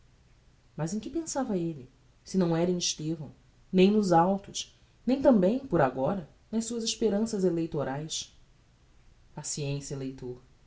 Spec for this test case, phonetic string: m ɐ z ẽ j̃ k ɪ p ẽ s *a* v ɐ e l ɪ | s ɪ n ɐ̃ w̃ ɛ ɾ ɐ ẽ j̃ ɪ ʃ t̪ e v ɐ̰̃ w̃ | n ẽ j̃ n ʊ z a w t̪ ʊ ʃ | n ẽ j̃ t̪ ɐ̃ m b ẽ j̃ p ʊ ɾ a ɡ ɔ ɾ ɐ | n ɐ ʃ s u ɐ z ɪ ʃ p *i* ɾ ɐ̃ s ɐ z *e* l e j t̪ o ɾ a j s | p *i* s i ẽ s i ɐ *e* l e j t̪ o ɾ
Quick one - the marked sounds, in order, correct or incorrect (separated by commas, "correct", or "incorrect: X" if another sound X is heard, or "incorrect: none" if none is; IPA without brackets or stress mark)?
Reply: correct, incorrect: e, correct, incorrect: a, correct